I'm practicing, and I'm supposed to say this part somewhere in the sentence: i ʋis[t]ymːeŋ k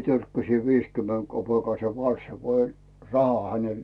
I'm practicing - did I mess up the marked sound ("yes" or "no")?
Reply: yes